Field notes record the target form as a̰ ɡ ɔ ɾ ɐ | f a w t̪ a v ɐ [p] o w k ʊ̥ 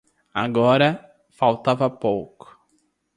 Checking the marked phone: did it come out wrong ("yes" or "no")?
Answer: no